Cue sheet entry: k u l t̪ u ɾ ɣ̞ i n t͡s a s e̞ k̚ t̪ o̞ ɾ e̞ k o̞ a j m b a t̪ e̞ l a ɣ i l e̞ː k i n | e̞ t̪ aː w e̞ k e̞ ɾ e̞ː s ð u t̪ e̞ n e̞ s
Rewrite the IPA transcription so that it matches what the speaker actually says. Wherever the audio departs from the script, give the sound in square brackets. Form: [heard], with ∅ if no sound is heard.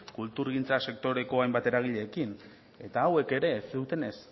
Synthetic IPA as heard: k u l t̪ u ɾ ɣ̞ i n t͡s a s e̞ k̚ t̪ o̞ ɾ e̞ k o̞ a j m b a t̪ e̞ [ɾ] a ɣ i [ʎ] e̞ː k i n | e̞ t̪ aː w e̞ k e̞ ɾ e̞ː s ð u t̪ e̞ n e̞ s